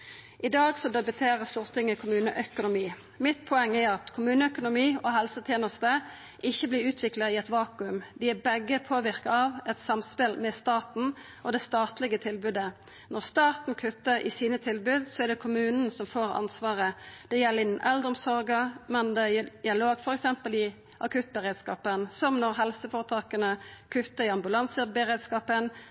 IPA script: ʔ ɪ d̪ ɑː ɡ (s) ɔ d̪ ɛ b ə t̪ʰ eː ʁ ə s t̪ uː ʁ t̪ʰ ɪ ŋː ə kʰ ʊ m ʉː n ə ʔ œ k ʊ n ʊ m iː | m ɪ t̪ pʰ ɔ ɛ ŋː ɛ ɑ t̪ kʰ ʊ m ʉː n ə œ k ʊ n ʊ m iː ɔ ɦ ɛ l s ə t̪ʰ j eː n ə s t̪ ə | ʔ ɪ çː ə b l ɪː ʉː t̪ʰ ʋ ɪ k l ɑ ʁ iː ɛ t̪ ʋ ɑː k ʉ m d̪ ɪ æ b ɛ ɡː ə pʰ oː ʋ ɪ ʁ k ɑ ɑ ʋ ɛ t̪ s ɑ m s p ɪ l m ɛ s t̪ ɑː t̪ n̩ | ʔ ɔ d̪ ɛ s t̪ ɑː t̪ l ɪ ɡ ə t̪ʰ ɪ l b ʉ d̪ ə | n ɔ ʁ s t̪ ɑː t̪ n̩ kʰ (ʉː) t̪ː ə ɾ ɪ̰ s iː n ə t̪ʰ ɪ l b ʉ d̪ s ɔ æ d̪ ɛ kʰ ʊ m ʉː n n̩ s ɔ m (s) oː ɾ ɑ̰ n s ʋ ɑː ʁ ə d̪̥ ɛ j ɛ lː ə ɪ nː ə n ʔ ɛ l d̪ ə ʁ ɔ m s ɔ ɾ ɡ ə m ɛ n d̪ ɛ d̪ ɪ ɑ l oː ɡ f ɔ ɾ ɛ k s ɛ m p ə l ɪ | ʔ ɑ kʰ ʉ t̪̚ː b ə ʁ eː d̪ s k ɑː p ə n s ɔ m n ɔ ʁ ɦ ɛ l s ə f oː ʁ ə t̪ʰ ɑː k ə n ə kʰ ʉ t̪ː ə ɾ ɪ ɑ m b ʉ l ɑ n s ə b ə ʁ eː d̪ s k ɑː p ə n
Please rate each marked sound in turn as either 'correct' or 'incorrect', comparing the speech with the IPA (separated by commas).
correct, incorrect, incorrect